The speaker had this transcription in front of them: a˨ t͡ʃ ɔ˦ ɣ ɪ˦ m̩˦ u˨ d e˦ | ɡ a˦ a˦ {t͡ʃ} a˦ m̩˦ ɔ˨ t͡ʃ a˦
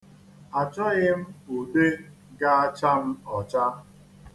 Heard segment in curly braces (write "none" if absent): t͡ʃ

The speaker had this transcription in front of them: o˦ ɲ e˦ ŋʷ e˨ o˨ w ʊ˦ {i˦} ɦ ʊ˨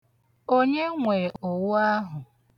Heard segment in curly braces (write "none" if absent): a˦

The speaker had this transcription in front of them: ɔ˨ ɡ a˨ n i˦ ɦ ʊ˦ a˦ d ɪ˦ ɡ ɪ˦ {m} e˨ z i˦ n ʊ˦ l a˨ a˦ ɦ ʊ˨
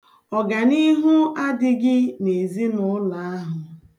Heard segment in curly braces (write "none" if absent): n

